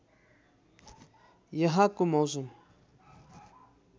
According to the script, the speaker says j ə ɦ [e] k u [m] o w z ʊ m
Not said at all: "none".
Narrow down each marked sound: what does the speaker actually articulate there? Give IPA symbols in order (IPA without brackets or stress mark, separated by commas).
a, m